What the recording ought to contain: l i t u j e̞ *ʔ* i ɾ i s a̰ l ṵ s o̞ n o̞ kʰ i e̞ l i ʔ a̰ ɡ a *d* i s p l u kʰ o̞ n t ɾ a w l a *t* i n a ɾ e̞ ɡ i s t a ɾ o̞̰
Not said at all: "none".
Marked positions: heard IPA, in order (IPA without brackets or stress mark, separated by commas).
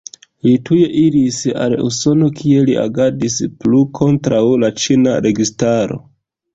ʔ, d, t͡ʃ